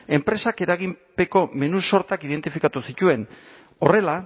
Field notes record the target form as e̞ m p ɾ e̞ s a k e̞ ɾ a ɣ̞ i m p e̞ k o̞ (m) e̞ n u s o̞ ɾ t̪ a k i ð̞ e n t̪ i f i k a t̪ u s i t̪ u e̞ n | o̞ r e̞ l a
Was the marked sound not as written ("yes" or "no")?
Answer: no